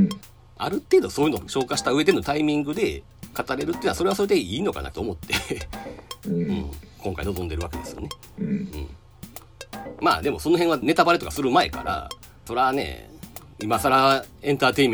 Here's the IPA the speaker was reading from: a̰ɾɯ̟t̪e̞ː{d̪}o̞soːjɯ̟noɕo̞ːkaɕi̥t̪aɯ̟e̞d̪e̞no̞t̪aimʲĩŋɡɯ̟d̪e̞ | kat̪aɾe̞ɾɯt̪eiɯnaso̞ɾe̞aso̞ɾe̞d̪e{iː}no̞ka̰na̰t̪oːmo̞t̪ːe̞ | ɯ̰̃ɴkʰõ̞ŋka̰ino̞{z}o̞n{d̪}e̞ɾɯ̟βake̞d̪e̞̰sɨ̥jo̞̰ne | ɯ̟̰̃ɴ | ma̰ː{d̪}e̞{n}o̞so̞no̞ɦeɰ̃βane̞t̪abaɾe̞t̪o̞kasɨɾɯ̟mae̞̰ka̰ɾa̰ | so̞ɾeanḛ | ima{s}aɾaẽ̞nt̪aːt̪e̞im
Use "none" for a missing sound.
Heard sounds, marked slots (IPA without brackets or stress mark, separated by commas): d̪, iː, z, d̪, d̪, m, s